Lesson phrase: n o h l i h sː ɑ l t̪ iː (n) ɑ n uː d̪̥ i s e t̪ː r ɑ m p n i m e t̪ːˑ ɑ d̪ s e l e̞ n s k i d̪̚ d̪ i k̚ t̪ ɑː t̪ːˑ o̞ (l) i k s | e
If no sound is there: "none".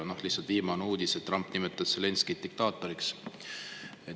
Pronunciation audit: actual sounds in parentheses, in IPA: m, ɾ

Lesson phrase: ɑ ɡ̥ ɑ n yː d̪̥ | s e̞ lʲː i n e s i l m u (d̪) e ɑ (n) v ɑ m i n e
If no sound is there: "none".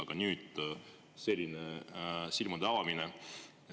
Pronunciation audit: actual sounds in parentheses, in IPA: d̪, none

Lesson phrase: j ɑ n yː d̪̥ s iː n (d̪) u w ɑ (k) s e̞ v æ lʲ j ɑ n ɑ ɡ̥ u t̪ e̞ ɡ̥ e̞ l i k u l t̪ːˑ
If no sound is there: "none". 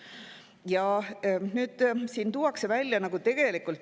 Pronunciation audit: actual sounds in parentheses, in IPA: t̪, k

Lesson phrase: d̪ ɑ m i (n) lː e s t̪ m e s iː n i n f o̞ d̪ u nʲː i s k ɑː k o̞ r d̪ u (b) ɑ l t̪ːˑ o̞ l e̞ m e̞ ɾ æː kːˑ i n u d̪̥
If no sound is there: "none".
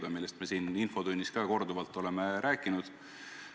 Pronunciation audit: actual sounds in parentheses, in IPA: none, v

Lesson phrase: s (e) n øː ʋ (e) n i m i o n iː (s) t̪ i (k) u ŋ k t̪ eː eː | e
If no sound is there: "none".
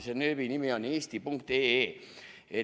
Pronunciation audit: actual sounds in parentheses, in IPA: e, i, s, p

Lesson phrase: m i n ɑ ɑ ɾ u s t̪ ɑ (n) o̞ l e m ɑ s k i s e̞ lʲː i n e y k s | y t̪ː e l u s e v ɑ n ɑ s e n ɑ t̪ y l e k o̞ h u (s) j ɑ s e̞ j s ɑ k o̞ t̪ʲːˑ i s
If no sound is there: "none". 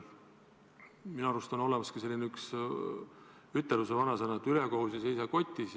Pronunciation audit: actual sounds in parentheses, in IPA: n, s

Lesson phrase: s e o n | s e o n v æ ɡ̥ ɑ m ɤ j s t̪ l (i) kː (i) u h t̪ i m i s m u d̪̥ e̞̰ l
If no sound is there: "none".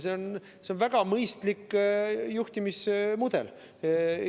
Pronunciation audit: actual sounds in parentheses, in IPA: i, j

